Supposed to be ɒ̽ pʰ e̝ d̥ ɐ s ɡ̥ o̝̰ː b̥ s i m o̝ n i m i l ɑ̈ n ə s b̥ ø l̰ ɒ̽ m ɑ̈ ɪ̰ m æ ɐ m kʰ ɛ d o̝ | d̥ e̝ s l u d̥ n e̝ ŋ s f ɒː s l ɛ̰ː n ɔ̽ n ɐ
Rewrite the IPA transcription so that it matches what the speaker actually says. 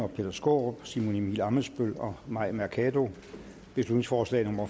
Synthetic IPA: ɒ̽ pʰ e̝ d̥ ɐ s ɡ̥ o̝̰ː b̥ s i m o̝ n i m i l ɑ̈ m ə s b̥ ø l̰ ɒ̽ m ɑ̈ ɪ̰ m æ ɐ kʰ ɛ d o̝ | b̥ e̝ s l u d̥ n e̝ ŋ s f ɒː s l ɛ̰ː n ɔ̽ m ɐ